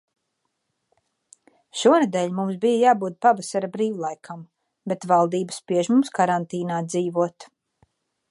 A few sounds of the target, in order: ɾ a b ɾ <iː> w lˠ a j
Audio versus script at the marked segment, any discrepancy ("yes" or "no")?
no